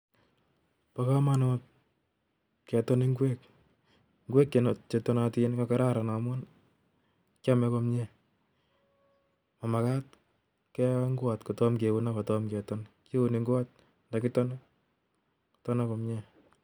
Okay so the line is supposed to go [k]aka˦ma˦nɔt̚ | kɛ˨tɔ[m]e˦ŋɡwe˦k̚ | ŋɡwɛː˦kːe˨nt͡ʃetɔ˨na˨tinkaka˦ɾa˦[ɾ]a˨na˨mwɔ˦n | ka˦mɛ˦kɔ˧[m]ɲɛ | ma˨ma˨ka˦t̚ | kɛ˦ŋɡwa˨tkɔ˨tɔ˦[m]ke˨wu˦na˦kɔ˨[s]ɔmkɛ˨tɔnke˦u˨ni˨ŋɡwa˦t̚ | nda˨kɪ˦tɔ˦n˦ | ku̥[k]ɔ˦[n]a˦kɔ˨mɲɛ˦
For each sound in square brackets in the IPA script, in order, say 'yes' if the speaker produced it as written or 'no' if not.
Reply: no, no, yes, yes, yes, no, no, yes

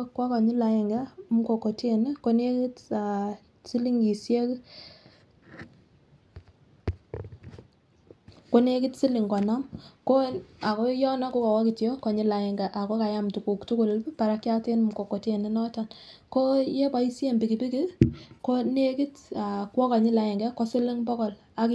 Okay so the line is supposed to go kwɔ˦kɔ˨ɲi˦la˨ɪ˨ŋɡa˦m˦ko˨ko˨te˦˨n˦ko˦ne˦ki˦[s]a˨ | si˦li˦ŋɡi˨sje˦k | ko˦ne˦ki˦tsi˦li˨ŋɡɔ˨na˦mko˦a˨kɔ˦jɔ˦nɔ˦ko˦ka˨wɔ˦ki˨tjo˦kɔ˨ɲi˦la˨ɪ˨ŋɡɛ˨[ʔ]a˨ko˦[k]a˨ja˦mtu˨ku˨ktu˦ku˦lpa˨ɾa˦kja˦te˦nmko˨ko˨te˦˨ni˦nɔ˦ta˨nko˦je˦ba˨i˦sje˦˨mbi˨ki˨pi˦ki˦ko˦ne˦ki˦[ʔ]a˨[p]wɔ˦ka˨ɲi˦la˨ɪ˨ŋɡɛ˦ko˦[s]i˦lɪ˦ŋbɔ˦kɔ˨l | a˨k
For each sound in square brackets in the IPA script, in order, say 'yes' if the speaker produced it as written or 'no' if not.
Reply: no, yes, yes, no, no, yes

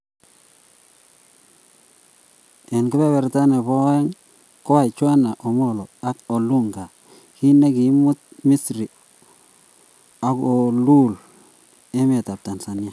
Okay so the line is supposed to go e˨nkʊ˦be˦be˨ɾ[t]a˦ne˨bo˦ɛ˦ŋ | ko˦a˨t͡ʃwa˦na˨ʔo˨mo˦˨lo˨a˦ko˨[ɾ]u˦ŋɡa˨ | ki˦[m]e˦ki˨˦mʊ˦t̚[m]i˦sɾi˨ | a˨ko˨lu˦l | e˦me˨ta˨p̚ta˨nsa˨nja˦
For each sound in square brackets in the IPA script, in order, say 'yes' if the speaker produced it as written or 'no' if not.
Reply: yes, no, no, yes

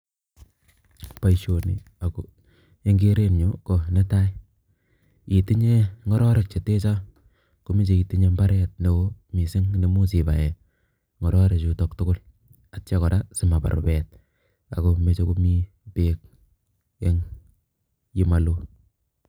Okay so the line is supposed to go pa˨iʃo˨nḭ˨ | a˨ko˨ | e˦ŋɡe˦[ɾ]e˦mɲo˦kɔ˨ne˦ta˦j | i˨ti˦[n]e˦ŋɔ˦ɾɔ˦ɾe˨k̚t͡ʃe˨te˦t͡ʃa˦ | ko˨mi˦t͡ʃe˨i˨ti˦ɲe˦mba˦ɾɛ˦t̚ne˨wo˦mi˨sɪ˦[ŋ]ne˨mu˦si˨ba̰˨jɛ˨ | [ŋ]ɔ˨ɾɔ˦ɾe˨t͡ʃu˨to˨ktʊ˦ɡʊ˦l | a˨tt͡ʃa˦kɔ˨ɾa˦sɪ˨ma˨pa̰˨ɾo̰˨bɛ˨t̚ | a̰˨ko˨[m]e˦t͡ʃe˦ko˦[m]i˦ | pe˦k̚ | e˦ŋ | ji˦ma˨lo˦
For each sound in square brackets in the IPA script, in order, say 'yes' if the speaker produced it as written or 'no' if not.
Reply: yes, no, yes, yes, yes, yes

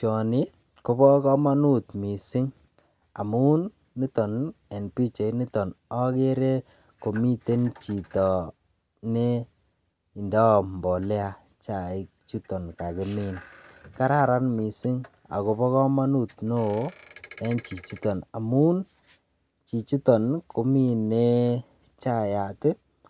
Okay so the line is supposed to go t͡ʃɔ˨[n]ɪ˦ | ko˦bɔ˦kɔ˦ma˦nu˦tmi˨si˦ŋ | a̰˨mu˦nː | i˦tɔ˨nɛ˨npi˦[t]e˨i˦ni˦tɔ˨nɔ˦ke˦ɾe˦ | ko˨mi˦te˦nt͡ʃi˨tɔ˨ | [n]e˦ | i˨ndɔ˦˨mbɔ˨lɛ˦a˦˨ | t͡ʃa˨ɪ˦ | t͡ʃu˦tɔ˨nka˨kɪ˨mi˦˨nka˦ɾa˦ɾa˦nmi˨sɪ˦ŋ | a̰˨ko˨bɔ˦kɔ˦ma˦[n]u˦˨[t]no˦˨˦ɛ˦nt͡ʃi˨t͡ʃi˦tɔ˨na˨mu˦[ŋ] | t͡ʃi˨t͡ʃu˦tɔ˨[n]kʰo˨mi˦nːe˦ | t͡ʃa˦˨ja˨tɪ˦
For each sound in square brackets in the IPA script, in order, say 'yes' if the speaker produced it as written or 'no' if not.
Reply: yes, no, yes, yes, yes, no, yes

